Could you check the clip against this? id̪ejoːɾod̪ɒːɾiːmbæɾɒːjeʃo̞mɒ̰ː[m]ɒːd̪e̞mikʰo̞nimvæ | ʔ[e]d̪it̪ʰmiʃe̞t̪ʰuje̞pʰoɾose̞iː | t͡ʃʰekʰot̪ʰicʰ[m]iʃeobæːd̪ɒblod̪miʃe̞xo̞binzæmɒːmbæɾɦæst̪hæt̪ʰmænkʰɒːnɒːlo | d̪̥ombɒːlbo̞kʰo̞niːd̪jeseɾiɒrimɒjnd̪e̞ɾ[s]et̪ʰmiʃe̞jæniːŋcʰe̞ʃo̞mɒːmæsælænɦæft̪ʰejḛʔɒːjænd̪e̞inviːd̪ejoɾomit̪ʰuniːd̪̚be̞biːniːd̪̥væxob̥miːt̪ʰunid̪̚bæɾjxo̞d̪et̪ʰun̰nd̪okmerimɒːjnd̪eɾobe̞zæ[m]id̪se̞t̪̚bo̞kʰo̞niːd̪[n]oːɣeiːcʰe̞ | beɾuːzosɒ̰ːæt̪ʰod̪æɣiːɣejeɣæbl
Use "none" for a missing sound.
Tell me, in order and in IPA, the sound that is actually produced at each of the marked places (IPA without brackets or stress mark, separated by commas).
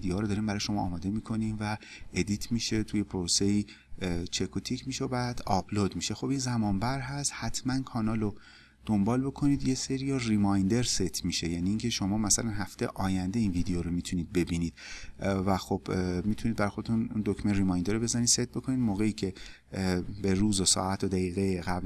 m, e, m, s, n, m